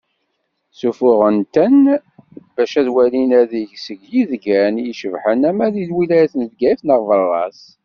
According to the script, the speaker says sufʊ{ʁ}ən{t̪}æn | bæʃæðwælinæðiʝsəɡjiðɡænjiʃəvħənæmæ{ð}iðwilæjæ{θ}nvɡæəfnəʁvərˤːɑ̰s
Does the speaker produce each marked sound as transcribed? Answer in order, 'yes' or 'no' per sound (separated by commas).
yes, yes, yes, yes